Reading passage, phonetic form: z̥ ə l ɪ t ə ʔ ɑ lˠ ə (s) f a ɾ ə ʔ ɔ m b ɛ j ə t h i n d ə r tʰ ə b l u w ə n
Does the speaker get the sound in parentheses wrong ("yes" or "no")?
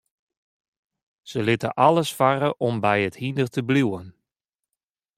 no